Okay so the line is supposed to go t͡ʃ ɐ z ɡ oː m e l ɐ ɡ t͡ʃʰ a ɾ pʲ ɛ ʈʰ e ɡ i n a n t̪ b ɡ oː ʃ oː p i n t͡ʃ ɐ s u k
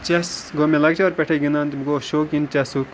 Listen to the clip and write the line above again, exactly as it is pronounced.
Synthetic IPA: t͡ʃ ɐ s ɡ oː m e l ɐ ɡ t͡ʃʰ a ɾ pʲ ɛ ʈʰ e ɡ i n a n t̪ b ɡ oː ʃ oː k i n t͡ʃ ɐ s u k